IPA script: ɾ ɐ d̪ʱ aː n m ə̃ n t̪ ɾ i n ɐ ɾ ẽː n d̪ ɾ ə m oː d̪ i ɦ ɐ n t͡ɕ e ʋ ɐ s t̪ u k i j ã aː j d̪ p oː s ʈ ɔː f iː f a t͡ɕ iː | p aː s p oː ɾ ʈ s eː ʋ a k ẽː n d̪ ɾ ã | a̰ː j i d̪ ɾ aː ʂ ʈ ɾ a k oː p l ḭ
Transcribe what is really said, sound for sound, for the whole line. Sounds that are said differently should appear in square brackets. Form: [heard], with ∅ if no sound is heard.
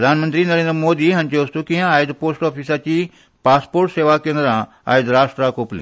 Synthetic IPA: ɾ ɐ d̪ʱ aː n m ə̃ n t̪ ɾ i n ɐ ɾ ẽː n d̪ ɾ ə m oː d̪ i ɦ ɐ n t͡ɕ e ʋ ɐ s t̪ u k i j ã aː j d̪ p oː s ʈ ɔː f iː [s] a t͡ɕ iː | p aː s p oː ɾ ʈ s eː ʋ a k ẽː n d̪ ɾ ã | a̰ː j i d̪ ɾ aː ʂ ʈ ɾ a k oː p l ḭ